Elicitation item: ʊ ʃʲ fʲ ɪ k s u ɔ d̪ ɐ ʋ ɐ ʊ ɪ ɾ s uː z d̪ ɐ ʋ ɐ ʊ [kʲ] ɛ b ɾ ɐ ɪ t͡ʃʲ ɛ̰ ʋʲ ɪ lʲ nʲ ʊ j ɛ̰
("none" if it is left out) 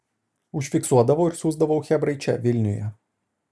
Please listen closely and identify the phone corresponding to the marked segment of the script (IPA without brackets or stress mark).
xʲ